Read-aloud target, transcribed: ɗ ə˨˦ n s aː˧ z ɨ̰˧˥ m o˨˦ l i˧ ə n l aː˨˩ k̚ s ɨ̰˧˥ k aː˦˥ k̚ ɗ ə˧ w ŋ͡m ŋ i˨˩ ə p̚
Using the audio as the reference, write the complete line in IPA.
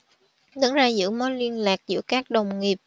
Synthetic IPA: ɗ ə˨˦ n z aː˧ z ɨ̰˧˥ m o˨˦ l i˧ ə n l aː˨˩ k̚ z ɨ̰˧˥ k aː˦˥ k̚ ɗ ə˨˩ w ŋ͡m ŋ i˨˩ ə p̚